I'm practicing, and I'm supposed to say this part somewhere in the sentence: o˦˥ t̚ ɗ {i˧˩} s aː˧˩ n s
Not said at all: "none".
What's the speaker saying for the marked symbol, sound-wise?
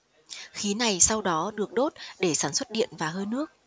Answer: e˧˩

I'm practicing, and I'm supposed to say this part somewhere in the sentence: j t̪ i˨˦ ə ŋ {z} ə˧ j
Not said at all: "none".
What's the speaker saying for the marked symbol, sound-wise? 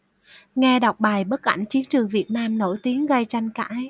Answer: ɣ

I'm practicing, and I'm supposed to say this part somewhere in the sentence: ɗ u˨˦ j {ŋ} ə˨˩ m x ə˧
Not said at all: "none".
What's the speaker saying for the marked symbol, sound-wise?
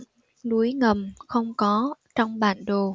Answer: ŋ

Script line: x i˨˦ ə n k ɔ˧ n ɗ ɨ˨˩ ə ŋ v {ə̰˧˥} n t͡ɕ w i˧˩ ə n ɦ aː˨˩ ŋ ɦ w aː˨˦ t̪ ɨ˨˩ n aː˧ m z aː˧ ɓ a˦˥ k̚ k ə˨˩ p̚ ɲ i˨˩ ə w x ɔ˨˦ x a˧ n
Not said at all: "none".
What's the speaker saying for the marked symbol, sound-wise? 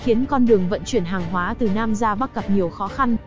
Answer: ə̰˧˨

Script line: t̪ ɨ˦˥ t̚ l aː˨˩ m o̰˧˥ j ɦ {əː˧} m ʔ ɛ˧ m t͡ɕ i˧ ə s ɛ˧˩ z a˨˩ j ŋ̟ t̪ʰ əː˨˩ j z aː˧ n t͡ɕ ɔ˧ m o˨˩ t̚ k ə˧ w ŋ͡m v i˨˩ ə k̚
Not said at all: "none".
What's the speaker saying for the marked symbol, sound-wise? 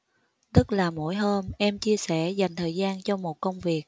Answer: əː˧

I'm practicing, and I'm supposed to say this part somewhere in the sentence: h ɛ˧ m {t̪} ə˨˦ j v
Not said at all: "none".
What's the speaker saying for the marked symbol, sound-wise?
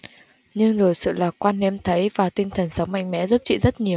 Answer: t̪ʰ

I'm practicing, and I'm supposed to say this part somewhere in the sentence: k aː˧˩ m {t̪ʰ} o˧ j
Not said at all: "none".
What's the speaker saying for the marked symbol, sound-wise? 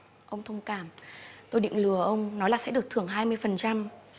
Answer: t̪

